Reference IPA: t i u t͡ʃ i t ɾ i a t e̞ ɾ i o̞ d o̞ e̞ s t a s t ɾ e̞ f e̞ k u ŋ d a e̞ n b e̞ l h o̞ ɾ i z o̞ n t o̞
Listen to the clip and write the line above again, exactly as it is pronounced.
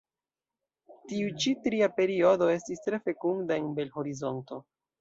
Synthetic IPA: t i u t͡ʃ i t ɾ i a p e̞ ɾ i o̞ d o̞ e̞ s t i s t ɾ e̞ f e̞ k u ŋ d a e̞ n b e̞ l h o̞ ɾ i z o̞ n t o̞